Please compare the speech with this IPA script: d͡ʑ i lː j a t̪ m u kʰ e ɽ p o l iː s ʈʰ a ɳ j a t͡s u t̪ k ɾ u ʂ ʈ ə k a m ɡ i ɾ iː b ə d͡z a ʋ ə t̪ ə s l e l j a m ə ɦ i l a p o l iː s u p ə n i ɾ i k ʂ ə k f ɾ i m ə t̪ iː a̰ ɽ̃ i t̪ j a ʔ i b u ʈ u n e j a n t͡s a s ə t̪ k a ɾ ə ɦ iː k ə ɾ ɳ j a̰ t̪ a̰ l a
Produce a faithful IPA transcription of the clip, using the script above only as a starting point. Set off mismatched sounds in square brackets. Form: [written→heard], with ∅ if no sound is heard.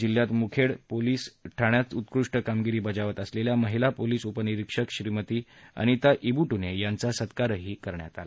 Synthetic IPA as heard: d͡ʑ i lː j a t̪ m u kʰ e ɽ p o l iː s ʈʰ a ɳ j a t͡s u t̪ k ɾ u ʂ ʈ ə k a m ɡ i ɾ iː b ə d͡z a ʋ ə t̪ ə s l e l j a m ə ɦ i l a p o l iː s u p ə n i ɾ i k ʂ ə k [f→ɕ] ɾ i m ə t̪ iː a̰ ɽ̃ i t̪ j a ʔ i b u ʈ u n e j a n t͡s a s ə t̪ k a ɾ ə ɦ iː k ə ɾ ɳ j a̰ t̪ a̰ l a